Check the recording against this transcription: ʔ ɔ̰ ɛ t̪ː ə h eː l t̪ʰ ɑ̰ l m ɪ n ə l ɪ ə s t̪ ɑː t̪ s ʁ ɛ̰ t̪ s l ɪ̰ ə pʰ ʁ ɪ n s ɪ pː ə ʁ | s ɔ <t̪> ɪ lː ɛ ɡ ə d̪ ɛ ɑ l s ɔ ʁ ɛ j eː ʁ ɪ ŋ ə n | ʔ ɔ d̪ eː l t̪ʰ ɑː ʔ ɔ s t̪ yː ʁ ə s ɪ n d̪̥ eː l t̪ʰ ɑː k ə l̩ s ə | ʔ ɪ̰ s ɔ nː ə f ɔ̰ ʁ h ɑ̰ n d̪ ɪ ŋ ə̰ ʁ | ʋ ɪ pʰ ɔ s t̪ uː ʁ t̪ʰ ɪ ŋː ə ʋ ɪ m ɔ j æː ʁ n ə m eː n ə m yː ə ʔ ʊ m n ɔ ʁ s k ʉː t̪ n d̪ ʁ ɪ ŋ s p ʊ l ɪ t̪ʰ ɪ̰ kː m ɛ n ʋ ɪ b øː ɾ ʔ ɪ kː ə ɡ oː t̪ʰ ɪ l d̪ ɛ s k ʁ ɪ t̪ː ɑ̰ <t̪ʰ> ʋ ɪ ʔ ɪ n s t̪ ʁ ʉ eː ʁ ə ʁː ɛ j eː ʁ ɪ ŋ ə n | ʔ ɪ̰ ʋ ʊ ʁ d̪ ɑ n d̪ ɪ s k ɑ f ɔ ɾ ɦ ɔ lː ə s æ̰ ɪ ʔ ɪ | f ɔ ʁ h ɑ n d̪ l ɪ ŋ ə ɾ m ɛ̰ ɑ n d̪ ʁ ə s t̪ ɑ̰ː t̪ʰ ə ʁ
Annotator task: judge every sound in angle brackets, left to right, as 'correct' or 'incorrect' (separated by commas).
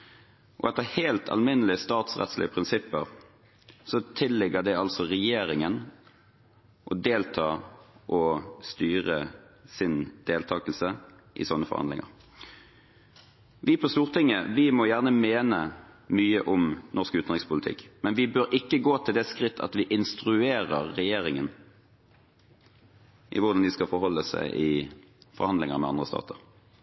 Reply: incorrect, incorrect